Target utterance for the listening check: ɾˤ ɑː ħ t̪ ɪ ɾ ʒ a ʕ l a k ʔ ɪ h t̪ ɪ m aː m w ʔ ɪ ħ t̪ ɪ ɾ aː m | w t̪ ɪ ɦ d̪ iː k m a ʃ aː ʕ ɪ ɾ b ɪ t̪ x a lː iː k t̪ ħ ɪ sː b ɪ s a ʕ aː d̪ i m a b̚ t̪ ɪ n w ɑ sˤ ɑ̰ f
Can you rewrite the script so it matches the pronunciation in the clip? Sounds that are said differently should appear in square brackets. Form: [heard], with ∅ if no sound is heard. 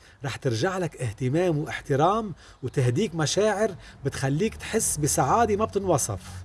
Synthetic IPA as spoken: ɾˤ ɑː ħ t̪ ɪ ɾ ʒ a ʕ l a k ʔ ɪ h t̪ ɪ m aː m w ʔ ɪ ħ t̪ ɪ ɾ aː m | w t̪ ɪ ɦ d̪ iː k m a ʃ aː ʕ ɪ ɾ b ɪ t̪ x a lː iː k t̪ ħ ɪ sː b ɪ s a ʕ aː d̪ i m a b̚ t̪ ɪ n w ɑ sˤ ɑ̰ f